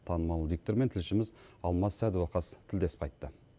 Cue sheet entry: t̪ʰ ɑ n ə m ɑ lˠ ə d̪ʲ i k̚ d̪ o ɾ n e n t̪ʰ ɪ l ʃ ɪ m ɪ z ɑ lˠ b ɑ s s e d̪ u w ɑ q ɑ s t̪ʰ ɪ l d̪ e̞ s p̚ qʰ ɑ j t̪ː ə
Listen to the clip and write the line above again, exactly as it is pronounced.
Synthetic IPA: t̪ʰ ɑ n ə m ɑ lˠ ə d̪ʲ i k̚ t̪ o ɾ m e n t̪ʰ ɪ l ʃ ɪ m ɪ z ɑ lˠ m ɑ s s æ d̪ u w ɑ q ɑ s t̪ʰ ɪ l d̪ e̞ s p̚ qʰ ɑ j t̪ː ə